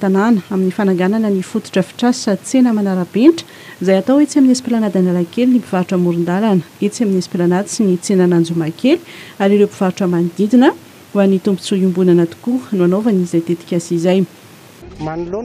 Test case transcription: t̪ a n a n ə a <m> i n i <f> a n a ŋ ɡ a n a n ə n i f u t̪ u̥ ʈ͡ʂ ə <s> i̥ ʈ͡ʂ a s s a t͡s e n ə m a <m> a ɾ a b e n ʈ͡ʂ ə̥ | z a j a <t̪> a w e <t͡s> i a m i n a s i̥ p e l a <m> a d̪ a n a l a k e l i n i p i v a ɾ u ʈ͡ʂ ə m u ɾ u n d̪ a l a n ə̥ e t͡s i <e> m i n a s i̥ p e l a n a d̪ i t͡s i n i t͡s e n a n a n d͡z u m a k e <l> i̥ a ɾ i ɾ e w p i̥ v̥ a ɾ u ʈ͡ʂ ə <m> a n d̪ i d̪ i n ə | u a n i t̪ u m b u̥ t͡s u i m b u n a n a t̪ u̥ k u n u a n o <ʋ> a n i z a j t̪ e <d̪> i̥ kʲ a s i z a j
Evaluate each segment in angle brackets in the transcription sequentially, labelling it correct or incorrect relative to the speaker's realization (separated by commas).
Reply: correct, correct, incorrect, incorrect, correct, correct, incorrect, incorrect, correct, correct, incorrect, incorrect